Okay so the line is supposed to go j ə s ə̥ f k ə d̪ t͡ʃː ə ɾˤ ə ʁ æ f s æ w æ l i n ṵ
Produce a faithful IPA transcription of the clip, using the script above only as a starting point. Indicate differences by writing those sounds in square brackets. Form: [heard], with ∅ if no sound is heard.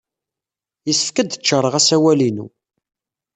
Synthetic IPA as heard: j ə s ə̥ f k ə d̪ t͡ʃː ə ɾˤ ə ʁ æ [∅] s æ w æ l i n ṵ